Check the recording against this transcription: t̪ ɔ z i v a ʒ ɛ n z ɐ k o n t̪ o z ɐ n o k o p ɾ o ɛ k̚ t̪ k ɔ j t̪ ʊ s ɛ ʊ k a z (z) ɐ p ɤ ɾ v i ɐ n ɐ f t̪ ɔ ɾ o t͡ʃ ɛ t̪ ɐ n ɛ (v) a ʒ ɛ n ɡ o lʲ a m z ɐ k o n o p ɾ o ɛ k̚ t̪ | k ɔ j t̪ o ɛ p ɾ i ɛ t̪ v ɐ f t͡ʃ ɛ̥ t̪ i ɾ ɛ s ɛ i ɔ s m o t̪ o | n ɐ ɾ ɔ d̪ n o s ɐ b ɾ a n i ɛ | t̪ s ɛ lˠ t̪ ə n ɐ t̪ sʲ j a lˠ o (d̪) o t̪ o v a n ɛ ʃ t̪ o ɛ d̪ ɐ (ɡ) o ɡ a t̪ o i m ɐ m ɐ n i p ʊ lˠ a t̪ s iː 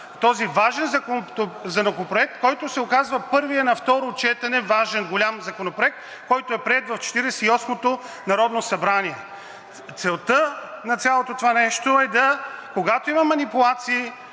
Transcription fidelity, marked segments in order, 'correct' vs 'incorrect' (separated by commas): incorrect, correct, incorrect, incorrect